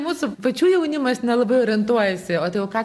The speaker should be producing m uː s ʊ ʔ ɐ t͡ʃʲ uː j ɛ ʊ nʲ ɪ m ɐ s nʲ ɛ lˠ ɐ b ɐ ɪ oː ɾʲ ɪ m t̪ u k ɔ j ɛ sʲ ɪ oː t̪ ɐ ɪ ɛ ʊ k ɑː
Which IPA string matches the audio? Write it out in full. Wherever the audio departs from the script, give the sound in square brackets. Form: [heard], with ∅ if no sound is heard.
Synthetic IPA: m uː s ʊ [p] ɐ t͡ʃʲ uː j ɛ ʊ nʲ ɪ m ɐ s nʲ ɛ lˠ ɐ b ɐ ɪ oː ɾʲ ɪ [n] t̪ u [∅] ɔ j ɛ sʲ ɪ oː t̪ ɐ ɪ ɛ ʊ k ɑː